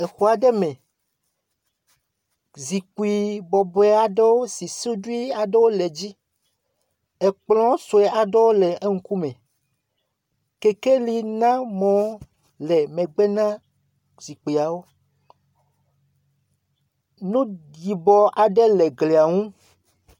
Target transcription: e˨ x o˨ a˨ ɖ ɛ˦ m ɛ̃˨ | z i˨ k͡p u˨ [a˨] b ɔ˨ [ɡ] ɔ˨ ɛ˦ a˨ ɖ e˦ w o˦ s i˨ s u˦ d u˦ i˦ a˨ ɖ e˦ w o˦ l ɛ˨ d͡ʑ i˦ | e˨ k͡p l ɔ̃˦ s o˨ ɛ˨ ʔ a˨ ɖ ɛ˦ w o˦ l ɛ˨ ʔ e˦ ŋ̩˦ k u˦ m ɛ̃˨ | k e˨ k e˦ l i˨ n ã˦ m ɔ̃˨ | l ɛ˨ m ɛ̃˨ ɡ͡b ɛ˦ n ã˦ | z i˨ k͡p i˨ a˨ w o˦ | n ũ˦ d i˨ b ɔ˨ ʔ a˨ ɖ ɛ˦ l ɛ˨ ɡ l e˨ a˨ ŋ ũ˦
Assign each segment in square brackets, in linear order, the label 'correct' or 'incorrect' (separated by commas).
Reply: incorrect, incorrect